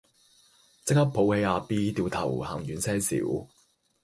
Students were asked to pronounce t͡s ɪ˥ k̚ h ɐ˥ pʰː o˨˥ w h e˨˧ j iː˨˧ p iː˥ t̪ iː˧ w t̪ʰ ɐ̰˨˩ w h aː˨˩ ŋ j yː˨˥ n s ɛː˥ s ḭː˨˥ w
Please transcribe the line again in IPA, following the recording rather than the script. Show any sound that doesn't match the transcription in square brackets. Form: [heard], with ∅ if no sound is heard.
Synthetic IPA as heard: t͡s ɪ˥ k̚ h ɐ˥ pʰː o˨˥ w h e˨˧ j [aː˨˧] p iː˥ t̪ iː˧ w t̪ʰ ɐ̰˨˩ w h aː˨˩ ŋ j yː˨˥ n s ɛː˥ s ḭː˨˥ w